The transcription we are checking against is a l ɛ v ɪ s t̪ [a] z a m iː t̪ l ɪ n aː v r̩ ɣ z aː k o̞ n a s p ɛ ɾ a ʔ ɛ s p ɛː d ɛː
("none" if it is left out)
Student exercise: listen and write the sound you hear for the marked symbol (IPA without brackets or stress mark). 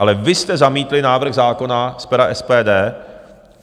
ɛ